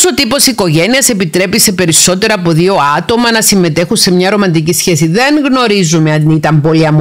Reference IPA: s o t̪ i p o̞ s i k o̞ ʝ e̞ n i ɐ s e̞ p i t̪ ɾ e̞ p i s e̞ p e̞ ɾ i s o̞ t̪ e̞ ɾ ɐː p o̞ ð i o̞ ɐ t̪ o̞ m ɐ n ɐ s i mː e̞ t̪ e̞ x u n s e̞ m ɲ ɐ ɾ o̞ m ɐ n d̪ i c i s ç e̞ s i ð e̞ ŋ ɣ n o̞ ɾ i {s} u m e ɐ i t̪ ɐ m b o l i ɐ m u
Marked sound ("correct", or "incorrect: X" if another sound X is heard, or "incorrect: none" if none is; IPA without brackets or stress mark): incorrect: z